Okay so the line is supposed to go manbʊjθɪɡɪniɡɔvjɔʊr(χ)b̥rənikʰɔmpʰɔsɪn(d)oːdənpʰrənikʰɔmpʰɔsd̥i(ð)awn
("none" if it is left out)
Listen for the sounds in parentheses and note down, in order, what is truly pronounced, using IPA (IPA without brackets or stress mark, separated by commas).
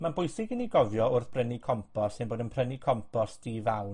θ, b, v